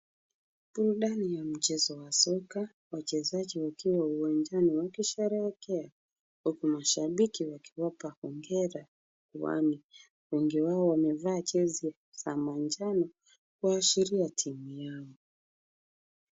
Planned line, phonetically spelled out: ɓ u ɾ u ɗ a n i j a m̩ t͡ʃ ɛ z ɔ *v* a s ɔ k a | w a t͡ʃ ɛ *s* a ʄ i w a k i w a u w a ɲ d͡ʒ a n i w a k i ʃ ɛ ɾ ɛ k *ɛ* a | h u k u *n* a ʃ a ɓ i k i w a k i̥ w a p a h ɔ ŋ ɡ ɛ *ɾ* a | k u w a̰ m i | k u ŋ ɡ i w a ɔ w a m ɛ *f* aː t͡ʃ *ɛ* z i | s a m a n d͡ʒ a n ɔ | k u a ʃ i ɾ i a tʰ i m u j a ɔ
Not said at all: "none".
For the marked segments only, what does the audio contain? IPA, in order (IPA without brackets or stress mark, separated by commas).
w, z, ɛ, m, ɾ, v, ɛ